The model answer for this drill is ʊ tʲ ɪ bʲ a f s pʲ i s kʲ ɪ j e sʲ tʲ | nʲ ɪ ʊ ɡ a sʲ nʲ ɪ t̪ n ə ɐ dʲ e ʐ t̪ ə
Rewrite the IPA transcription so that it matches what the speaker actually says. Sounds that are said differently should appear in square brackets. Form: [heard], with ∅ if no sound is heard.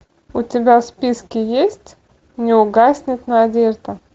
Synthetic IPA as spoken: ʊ tʲ ɪ bʲ a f s pʲ i s kʲ ɪ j e sʲ tʲ | nʲ ɪ ʊ ɡ a sʲ nʲ ɪ t̪ n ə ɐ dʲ e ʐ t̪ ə